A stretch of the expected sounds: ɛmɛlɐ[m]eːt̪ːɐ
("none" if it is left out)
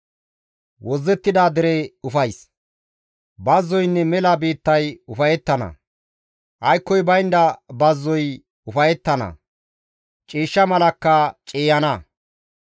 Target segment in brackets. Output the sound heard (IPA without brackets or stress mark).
b